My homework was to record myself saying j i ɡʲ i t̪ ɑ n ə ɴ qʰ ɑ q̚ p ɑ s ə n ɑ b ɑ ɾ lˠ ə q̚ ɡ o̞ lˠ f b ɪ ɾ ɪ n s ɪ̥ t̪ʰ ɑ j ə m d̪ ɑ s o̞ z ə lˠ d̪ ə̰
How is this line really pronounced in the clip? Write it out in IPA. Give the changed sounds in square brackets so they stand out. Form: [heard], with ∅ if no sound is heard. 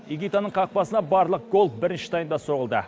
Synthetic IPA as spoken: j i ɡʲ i t̪ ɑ n ə ɴ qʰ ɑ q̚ p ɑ s ə n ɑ b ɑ ɾ lˠ ə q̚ ɡ o̞ lˠ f b ɪ ɾ ɪ n [ʃ] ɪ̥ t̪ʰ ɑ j ə [n] d̪ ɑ s o̞ [ʁ] ə lˠ d̪ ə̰